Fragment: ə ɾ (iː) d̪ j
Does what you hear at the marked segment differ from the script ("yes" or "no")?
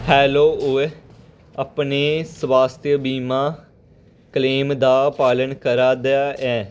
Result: yes